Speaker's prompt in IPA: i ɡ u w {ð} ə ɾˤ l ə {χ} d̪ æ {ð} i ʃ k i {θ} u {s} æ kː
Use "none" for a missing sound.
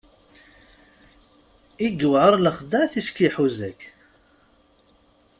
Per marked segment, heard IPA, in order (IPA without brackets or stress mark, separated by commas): ʕ, χ, θ, ħ, z